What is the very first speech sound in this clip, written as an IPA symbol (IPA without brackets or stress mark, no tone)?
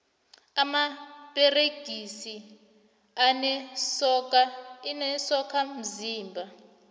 a